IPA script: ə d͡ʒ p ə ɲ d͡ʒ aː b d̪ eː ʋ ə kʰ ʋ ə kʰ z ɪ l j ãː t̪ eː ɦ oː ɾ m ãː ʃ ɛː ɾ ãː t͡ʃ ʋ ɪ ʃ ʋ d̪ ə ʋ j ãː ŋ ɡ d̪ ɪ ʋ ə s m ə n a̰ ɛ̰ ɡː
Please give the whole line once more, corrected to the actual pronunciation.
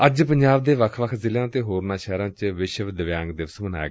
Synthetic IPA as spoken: ə d͡ʒ p ə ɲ d͡ʒ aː b d̪ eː ʋ ə kʰ ʋ ə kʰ z ɪ l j ãː t̪ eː ɦ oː ɾ n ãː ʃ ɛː ɾ ãː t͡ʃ ʋ ɪ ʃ ʋ d̪ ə ʋ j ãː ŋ ɡ d̪ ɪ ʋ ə s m ə n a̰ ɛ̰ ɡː